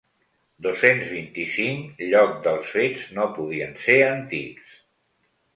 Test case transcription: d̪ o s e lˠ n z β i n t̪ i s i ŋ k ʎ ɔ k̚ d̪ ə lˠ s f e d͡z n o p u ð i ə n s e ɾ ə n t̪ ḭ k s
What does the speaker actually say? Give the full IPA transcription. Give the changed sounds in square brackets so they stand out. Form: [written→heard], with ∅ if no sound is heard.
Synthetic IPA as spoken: d̪ o s e [lˠ→∅] n z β i n t̪ i s i ŋ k ʎ ɔ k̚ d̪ ə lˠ s f e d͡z n o p u ð i ə n s e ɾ ə n t̪ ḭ k s